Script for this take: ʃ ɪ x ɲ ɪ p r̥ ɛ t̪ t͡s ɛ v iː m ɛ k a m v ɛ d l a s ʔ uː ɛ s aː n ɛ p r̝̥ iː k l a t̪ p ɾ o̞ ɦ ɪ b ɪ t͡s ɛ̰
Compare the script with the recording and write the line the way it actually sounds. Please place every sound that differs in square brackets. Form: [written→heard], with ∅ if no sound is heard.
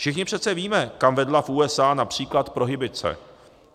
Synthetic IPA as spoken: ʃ ɪ x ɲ ɪ p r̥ ɛ t̪ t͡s ɛ v iː m ɛ k a m v ɛ d l a [s→f] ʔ uː ɛ s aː n [ɛ→a] p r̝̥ iː k l a t̪ p ɾ o̞ ɦ ɪ b ɪ t͡s ɛ̰